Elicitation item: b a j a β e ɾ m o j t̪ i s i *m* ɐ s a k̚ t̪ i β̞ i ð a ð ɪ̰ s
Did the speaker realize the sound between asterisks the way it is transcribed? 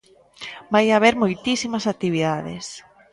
yes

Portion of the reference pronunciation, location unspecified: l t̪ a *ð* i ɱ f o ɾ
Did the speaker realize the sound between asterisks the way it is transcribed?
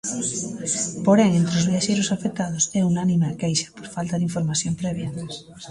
yes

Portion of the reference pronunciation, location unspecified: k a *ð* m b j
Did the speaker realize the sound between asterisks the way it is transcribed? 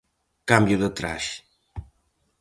no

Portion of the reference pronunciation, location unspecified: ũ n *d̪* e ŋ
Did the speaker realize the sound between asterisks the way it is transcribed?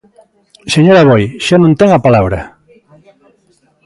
no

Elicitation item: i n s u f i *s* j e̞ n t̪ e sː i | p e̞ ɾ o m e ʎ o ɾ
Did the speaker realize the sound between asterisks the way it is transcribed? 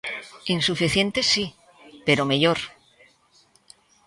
no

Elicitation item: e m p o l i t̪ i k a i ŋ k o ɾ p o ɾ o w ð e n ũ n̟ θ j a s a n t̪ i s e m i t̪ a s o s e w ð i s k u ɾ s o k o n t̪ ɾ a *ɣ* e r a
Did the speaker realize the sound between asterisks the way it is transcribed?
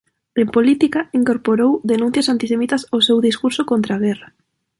yes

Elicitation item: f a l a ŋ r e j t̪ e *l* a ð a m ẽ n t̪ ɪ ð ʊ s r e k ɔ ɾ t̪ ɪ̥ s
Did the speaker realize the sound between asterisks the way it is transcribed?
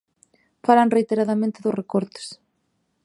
no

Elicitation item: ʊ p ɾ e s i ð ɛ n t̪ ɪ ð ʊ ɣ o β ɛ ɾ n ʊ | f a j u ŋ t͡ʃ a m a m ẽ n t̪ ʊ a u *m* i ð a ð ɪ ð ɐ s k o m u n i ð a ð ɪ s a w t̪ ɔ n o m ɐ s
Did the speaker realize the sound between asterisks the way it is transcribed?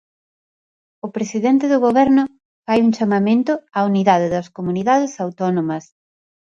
no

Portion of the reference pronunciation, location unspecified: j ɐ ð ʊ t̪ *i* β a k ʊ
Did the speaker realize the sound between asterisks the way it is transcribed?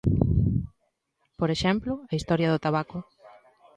no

